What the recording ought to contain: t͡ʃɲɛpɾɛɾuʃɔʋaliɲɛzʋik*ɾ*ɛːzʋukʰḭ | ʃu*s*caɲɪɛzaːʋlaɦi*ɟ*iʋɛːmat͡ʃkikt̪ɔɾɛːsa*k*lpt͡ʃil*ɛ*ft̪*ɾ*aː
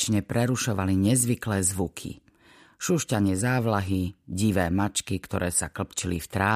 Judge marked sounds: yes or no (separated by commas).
no, no, yes, yes, no, yes